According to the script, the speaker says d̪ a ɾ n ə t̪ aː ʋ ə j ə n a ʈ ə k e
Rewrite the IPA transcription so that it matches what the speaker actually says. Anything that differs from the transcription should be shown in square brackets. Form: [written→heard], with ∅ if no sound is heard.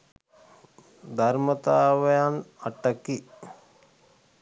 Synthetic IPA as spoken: d̪ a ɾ [n→m] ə t̪ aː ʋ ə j [ə→a] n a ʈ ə k [e→i]